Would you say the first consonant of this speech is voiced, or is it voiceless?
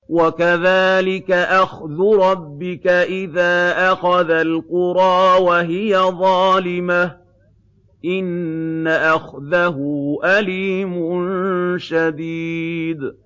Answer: voiced